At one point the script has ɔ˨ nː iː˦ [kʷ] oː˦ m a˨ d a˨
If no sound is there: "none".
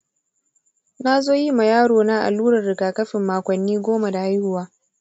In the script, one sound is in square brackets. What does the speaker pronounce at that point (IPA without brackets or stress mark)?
ɡʷ